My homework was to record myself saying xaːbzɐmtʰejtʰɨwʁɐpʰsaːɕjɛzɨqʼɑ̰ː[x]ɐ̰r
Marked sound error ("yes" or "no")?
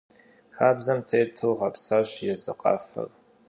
yes